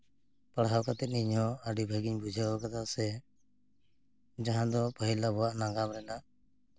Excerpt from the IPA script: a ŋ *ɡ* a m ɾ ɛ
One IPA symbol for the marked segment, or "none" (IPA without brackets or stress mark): ɡ